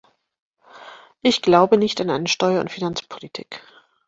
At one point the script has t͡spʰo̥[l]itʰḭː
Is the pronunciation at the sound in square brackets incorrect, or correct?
correct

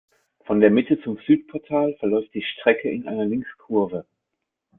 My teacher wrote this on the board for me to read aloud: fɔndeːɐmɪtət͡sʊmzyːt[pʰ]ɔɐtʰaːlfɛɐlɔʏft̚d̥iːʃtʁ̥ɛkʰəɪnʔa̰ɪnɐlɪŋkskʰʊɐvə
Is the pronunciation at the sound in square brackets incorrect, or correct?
correct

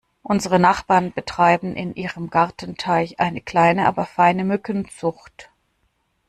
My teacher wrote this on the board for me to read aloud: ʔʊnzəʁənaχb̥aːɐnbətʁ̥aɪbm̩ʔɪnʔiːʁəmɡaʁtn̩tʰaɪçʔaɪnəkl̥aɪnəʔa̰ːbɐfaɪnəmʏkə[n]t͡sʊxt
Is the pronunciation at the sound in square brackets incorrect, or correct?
correct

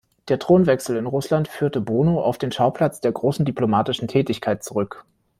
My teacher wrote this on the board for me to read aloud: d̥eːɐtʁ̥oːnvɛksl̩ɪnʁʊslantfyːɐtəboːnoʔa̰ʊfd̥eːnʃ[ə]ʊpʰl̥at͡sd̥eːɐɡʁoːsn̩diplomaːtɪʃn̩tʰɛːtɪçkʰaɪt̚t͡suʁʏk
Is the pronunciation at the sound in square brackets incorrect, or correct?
incorrect: a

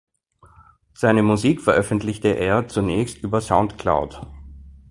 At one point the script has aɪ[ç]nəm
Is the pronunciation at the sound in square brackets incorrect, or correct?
incorrect: none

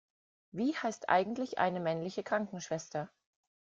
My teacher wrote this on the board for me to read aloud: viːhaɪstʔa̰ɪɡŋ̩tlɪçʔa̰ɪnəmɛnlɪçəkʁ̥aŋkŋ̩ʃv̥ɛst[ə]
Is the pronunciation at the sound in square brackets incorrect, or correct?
incorrect: ɐ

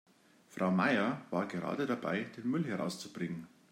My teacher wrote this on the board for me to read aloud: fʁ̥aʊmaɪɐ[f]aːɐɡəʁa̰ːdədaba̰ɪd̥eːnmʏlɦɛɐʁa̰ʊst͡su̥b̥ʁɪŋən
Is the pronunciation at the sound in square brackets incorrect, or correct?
incorrect: v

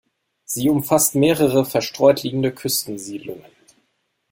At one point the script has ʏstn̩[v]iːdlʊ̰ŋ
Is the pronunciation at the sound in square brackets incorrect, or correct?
incorrect: z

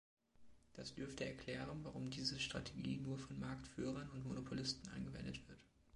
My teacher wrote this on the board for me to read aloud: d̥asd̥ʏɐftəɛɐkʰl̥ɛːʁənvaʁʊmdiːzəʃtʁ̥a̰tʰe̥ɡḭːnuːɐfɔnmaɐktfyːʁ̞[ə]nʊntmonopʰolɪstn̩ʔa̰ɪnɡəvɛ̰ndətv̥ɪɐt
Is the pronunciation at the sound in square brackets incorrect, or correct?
incorrect: ɐ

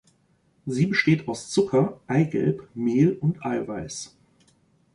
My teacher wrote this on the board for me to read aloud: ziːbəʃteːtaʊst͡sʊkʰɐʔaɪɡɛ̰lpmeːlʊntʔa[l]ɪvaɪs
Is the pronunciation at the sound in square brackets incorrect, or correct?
incorrect: none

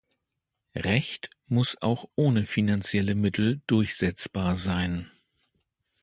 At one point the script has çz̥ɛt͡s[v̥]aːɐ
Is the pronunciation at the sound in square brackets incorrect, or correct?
incorrect: b̥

